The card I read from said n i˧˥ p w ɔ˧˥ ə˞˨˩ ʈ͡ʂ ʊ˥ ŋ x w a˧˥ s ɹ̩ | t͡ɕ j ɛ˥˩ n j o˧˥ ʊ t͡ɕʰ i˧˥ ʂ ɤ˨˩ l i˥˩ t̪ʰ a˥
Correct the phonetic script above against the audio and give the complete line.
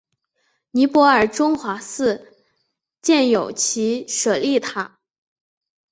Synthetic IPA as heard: n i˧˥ p w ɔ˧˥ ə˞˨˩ ʈ͡ʂ ʊ˥ ŋ x w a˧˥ s ɹ̩ | t͡ɕ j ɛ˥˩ n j o˨˩ ʊ t͡ɕʰ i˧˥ ʂ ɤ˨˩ l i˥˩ t̪ʰ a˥